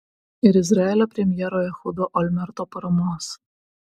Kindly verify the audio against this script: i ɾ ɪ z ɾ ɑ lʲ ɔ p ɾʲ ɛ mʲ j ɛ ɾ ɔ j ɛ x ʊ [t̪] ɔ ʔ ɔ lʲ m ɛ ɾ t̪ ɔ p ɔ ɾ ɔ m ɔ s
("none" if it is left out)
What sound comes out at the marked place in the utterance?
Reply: d̪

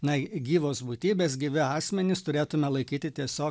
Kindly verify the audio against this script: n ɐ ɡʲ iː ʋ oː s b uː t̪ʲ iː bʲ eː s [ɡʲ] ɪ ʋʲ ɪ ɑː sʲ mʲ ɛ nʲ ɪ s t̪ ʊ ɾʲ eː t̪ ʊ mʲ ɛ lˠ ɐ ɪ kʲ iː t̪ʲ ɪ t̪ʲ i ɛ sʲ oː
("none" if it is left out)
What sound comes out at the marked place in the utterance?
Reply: ɡʲ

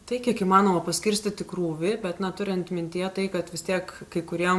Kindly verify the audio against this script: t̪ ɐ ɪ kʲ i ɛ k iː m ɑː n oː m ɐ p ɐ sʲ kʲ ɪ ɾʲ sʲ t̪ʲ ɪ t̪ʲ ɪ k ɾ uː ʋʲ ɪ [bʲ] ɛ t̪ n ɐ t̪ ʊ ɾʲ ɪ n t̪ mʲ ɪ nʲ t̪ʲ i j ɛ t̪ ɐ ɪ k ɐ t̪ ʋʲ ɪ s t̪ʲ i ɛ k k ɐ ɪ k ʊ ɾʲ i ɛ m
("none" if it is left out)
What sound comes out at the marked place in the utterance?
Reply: bʲ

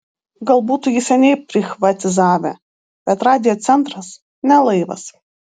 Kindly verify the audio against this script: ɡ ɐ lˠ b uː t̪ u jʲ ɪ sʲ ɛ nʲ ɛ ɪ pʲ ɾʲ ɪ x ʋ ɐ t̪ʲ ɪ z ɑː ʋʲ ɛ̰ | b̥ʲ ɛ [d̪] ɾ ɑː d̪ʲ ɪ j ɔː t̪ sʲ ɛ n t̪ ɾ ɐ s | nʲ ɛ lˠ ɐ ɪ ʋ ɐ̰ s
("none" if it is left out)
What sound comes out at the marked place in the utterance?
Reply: t̪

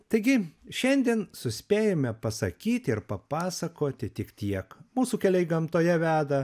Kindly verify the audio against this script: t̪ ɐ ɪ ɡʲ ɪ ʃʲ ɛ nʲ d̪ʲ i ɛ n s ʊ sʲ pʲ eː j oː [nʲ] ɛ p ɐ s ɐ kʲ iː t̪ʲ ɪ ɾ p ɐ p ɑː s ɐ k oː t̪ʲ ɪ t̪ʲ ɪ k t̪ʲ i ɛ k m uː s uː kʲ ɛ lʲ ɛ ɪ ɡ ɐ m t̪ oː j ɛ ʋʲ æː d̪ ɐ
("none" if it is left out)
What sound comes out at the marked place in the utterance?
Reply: mʲ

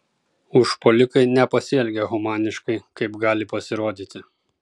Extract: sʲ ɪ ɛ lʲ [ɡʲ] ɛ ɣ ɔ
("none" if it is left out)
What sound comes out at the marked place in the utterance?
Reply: ɡʲ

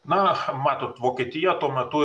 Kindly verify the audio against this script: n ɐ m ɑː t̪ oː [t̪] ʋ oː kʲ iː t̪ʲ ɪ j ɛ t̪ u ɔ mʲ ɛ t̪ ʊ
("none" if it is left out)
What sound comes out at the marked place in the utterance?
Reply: t̪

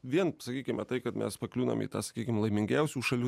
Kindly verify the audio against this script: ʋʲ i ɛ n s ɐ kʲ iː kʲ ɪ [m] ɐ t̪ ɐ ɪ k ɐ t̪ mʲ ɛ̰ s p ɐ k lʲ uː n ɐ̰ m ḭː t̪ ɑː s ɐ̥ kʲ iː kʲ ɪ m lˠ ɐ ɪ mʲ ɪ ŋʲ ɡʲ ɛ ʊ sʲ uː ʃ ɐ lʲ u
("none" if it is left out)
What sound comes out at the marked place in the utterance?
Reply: m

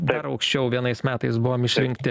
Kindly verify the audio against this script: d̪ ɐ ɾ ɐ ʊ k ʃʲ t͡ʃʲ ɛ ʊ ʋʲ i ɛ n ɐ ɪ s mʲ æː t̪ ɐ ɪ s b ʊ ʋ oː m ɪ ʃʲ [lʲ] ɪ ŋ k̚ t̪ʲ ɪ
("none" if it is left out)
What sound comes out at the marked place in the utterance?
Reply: ɾʲ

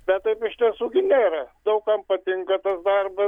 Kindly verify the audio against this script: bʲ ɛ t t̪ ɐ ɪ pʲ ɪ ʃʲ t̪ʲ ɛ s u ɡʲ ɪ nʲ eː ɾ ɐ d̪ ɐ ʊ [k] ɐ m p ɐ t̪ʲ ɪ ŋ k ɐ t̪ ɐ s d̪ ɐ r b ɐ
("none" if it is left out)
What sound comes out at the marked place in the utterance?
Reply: k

